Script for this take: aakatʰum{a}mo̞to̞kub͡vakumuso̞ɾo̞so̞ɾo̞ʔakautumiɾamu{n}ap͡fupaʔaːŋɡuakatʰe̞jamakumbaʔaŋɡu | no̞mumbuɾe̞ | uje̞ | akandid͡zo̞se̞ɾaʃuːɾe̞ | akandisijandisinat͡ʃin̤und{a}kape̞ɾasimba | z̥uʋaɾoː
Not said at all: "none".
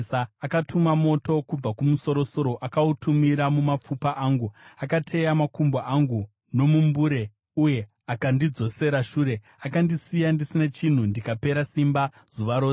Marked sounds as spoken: a, m, i

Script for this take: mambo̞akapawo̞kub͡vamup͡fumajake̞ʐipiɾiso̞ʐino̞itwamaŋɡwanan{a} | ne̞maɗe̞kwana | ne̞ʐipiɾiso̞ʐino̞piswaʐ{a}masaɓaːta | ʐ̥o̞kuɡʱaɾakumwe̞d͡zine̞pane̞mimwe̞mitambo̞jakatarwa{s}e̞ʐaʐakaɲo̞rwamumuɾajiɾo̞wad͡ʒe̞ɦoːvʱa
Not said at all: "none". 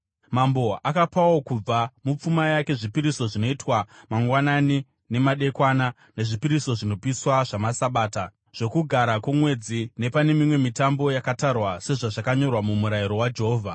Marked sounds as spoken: i, a, s

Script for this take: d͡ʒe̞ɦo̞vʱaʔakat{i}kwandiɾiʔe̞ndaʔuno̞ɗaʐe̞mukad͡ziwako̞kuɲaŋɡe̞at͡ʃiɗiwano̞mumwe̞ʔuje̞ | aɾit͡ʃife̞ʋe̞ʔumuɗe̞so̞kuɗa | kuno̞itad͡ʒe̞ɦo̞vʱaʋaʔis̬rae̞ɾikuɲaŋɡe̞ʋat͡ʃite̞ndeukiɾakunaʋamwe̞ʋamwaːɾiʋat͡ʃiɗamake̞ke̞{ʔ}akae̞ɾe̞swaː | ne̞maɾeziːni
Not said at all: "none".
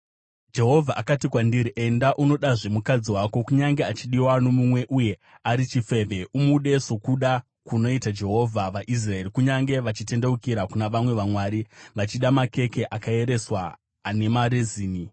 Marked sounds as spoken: i, ʔ

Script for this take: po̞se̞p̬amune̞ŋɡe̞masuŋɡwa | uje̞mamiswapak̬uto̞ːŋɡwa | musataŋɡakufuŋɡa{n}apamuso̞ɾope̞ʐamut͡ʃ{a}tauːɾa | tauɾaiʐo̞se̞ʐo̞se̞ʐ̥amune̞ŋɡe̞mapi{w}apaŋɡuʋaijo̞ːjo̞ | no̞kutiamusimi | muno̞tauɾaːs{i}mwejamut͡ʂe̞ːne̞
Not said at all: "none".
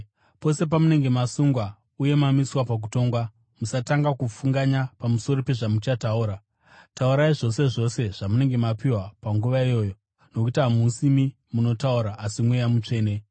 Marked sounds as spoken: ɲ, a, w, i

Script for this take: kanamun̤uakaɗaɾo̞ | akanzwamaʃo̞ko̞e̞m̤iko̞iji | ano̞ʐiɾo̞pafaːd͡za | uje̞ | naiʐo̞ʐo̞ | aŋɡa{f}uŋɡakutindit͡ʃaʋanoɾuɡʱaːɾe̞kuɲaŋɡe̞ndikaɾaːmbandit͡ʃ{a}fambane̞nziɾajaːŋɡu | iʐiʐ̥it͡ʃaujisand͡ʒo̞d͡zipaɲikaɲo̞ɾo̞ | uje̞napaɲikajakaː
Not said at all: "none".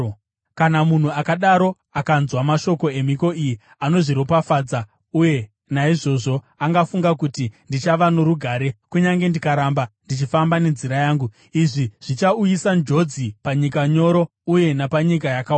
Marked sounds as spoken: f, i

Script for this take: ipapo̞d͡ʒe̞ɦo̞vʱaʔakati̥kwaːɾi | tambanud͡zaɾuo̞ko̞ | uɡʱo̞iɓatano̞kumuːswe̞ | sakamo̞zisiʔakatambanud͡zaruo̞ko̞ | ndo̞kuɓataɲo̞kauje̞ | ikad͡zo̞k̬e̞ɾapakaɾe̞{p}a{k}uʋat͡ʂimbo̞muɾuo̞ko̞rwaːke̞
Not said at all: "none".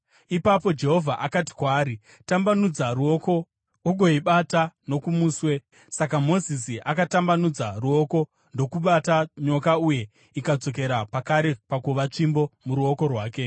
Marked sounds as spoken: p, k

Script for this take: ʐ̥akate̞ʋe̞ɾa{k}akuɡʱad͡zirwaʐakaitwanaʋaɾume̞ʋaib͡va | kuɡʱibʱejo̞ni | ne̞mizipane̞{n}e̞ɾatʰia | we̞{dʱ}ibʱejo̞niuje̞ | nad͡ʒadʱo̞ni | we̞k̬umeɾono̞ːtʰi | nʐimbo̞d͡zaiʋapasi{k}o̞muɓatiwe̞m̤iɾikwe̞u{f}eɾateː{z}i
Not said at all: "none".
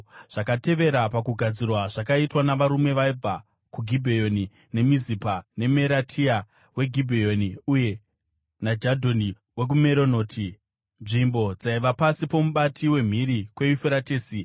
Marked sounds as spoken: p, m, ɡʱ, p, f, s

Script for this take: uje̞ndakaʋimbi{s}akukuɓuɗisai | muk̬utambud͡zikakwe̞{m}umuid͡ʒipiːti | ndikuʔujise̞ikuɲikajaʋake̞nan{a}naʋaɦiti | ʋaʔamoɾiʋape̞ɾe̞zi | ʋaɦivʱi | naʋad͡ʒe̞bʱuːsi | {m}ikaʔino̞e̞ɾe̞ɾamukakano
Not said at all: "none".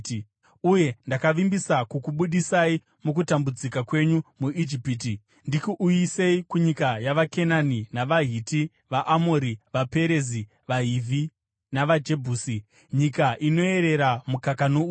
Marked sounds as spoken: s, ɲ, i, ɲ

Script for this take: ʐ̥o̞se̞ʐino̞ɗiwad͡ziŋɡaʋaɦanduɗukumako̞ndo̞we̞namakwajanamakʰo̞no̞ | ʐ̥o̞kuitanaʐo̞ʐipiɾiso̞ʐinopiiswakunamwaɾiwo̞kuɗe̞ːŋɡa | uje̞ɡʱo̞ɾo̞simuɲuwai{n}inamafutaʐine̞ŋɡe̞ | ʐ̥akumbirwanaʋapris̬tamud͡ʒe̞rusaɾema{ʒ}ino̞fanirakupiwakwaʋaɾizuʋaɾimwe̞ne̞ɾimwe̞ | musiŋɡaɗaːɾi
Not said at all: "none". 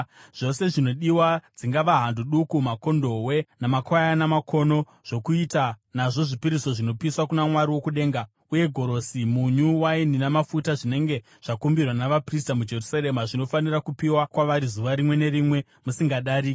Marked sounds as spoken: n, ʐ

